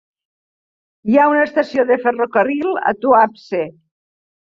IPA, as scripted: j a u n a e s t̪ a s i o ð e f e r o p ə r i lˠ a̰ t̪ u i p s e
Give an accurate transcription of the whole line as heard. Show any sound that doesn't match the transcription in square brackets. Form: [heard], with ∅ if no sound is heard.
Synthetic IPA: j a u n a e s t̪ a s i o ð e f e r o [k] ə r i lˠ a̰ t̪ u [a] p s e